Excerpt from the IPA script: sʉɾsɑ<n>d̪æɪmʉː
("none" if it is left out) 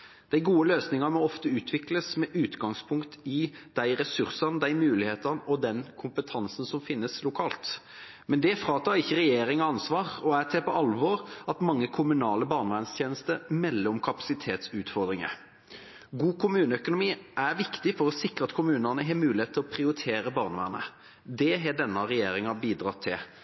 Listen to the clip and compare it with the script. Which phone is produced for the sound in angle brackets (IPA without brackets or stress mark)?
n